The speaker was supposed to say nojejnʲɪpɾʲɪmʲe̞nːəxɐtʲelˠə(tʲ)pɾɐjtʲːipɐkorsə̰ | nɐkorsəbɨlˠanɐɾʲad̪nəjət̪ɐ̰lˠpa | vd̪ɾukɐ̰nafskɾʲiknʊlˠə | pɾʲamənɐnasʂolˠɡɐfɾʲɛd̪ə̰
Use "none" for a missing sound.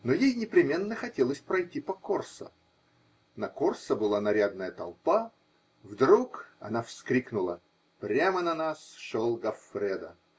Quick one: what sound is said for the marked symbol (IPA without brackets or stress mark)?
sʲ